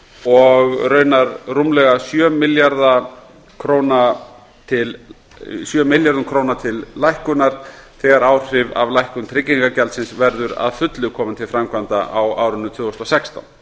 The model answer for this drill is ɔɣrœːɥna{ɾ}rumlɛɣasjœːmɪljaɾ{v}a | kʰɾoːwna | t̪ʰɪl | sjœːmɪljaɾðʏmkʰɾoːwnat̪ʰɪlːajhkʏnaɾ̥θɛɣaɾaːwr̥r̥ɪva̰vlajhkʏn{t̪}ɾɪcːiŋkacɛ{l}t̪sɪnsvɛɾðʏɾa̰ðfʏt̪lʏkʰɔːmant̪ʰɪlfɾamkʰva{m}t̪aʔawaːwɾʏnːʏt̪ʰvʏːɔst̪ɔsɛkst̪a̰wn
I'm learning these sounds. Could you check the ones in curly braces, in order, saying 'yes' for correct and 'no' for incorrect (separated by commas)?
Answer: yes, no, no, yes, no